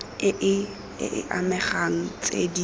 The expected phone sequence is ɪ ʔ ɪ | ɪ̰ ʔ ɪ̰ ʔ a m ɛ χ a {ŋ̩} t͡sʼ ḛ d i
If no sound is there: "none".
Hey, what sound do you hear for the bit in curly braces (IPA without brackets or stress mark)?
ŋ̩